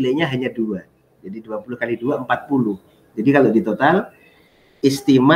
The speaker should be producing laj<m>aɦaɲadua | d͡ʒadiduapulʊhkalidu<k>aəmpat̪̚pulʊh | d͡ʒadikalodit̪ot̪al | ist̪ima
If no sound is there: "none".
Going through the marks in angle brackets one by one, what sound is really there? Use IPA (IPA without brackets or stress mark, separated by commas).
ɲ, none